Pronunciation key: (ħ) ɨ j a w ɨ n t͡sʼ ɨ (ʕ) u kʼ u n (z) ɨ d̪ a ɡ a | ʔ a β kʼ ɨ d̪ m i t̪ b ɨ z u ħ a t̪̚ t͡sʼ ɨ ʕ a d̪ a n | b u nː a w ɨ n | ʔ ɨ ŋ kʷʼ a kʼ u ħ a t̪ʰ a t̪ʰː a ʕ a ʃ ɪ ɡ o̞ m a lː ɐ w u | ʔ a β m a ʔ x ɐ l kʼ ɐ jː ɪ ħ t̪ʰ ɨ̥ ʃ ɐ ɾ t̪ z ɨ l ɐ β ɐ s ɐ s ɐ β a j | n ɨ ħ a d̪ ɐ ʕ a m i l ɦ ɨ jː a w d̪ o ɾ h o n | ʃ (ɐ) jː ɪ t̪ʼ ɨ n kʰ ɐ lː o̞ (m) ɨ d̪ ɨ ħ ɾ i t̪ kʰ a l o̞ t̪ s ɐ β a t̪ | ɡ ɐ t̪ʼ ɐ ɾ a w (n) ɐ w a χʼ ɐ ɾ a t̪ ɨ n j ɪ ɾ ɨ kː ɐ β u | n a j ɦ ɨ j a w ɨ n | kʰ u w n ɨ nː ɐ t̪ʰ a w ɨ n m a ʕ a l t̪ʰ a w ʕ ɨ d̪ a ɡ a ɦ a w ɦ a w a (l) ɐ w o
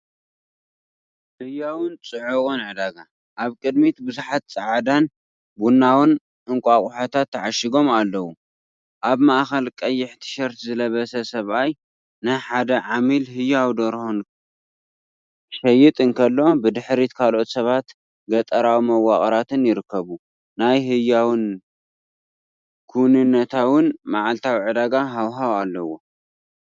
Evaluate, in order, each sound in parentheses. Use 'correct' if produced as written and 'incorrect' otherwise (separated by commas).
incorrect, correct, incorrect, correct, incorrect, incorrect, incorrect